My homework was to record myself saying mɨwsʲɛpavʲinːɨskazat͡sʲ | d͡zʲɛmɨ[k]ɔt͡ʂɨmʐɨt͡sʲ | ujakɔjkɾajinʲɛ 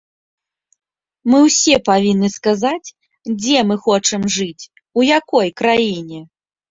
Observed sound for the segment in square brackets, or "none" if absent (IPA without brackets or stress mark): x